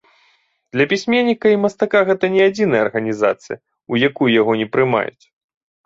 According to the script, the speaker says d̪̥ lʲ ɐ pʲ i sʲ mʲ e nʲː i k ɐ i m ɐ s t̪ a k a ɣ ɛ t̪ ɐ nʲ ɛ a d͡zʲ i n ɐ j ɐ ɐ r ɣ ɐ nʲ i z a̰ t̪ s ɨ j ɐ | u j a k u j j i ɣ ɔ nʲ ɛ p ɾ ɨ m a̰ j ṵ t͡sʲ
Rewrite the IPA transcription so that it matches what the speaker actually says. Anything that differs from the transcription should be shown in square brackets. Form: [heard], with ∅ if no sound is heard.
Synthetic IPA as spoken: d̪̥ lʲ ɐ pʲ i sʲ mʲ e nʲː i k ɐ i m ɐ s t̪ a k a ɣ ɛ t̪ ɐ nʲ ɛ a d͡zʲ i n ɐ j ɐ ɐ r ɣ ɐ nʲ i z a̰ t̪ s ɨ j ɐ | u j a k u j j [a] ɣ ɔ nʲ ɛ p ɾ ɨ m a̰ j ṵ t͡sʲ